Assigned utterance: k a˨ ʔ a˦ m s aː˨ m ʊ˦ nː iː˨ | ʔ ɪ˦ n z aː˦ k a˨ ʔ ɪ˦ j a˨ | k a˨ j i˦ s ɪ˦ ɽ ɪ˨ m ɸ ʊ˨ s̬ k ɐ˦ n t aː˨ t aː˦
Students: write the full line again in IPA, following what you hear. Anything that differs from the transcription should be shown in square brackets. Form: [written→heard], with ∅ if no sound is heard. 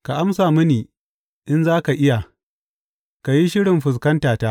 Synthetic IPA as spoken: k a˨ ʔ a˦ m s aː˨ m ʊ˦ [nː→n] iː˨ | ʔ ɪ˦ n z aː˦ k a˨ ʔ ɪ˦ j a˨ | k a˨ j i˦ [s→ʃ] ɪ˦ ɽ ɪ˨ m ɸ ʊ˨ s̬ k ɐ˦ n t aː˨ t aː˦

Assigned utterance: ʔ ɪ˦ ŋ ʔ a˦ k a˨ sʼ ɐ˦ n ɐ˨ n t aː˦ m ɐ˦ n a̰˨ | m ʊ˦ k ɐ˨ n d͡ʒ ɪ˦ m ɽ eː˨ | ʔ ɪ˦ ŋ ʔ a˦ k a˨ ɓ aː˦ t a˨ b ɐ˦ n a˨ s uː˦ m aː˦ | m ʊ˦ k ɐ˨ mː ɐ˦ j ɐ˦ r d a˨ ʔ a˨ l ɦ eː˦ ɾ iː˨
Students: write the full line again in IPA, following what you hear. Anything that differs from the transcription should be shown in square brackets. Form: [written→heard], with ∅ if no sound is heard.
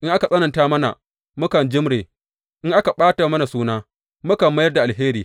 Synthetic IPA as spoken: ʔ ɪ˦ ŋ ʔ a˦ k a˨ sʼ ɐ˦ n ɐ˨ n t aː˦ m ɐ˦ n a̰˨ | m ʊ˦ k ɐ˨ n d͡ʒ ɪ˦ m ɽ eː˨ | ʔ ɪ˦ ŋ ʔ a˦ k a˨ ɓ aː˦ t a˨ [b→m] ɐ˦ n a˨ s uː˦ [m→n] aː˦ | m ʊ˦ k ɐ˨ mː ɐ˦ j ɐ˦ r d a˨ ʔ a˨ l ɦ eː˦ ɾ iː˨

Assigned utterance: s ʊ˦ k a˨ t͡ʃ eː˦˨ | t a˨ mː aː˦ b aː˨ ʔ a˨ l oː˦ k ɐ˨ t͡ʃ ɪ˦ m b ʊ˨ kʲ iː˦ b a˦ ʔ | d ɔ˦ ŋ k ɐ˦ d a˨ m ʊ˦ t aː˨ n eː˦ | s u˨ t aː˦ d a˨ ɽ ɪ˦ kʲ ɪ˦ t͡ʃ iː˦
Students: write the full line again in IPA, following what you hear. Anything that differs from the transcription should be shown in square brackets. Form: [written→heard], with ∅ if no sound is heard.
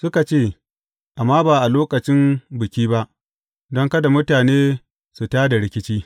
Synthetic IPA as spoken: s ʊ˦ k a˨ t͡ʃ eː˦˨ | [t→ʔ] a˨ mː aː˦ b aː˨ ʔ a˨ l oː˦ k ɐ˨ t͡ʃ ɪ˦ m b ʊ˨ kʲ iː˦ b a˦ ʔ | d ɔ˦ ŋ k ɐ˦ d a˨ m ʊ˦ t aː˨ n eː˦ | s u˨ t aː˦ d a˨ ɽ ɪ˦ kʲ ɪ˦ t͡ʃ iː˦

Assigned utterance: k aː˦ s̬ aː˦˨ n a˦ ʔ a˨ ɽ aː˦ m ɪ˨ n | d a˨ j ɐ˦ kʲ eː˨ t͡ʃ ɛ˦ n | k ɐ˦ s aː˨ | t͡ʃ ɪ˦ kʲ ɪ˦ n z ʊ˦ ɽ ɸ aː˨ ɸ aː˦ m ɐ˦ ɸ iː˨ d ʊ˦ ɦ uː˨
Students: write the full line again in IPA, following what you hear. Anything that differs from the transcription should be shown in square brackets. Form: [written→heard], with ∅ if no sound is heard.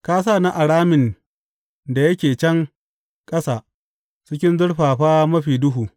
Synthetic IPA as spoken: k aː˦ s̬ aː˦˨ n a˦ ʔ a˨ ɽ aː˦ m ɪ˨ n | d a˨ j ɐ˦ kʲ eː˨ t͡ʃ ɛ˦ [n→ŋ] | [k→kʼ] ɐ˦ s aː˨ | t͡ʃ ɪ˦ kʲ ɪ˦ n z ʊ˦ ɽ ɸ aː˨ ɸ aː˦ m ɐ˦ ɸ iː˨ d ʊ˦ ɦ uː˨

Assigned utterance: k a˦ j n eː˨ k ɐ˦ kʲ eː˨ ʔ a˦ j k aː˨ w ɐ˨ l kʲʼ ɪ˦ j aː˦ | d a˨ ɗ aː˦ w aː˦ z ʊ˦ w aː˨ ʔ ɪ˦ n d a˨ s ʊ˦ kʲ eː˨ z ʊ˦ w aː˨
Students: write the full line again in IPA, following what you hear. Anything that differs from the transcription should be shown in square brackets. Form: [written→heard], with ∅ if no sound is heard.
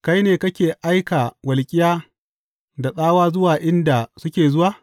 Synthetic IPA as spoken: k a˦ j n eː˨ k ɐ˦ kʲ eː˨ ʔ a˦ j k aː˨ w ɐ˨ l kʲʼ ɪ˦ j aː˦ | d a˨ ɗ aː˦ w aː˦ z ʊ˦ w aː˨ ʔ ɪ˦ n d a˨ s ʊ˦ kʲ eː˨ z ʊ˦ w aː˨

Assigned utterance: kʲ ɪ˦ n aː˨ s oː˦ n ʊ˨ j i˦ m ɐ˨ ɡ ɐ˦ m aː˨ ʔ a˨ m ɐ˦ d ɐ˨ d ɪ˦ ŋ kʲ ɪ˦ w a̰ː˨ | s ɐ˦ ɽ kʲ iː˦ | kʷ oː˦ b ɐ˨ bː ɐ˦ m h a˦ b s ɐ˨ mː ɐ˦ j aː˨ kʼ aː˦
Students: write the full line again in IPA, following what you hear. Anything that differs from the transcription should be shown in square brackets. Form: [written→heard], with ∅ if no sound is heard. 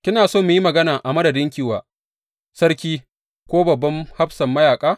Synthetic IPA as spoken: kʲ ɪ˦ n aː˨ s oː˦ [n→m] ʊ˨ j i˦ m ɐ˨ ɡ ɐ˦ [m→n] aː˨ ʔ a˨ m ɐ˦ d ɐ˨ d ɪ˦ ŋ kʲ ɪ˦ w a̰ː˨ | s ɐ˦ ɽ kʲ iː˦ | kʷ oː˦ b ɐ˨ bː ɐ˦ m h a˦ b s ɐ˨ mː ɐ˦ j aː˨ kʼ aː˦

